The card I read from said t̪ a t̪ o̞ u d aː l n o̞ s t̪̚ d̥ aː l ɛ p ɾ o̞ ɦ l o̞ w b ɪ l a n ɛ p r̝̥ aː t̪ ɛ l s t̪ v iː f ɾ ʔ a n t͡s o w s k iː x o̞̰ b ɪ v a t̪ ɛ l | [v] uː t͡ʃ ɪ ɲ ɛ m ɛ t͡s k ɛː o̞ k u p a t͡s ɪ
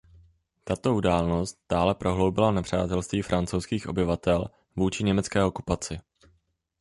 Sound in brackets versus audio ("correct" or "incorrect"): correct